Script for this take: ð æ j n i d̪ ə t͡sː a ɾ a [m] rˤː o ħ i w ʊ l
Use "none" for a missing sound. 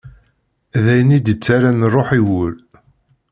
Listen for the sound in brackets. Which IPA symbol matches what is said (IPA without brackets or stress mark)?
n